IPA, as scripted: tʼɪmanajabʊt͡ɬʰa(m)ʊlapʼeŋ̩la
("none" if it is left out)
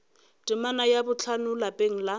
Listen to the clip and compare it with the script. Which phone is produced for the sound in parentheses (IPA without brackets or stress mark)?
n